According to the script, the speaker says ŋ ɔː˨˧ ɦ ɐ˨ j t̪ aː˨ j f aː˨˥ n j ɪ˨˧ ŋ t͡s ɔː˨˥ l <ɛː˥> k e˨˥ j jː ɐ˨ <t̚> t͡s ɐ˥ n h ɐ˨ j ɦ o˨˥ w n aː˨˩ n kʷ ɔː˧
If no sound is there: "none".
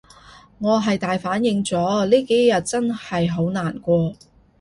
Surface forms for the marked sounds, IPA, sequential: iː˥, t̚

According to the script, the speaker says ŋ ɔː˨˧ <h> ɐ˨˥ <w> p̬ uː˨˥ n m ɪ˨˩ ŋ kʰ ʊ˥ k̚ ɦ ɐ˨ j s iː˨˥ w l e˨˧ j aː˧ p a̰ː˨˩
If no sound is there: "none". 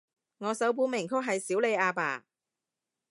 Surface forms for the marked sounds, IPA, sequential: s, w

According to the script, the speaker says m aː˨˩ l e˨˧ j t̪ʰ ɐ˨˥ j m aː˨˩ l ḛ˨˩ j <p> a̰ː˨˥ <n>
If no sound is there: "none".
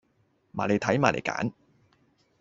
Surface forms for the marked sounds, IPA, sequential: k, n

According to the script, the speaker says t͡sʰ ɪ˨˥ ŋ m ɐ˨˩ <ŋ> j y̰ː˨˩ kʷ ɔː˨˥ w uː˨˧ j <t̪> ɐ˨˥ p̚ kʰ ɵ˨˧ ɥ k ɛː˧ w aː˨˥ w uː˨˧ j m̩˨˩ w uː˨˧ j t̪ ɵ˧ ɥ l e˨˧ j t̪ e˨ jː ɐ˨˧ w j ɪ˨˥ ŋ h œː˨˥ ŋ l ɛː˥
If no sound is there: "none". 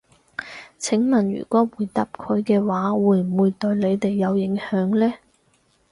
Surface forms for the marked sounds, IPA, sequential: n, t̪

